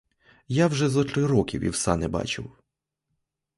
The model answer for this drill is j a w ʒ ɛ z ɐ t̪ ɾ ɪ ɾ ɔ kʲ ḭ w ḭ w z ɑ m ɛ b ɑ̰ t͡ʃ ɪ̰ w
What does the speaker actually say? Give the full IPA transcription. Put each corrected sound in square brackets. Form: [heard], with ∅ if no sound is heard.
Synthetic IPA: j a w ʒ ɛ z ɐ t̪ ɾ ɪ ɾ ɔ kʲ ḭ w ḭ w [s] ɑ [n] ɛ b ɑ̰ t͡ʃ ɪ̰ w